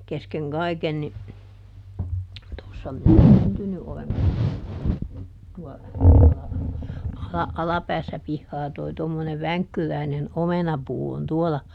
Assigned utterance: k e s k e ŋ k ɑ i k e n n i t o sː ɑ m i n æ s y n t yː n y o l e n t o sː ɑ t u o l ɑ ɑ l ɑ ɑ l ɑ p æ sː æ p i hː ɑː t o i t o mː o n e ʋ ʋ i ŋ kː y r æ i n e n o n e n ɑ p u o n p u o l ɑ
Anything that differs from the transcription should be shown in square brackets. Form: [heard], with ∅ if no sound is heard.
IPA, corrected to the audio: k e s k e ŋ k ɑ i k e n n i t o sː ɑ m i n æ s y n t [y] n y o l e n t o sː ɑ t u o l ɑ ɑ l ɑ ɑ l ɑ p [æː] sː æ p i hː ɑː t o i t o mː o n e ʋ ʋ [æ] ŋ kː y r æ i n e n o [m] e n ɑ p [uː] o n [t] u o l ɑ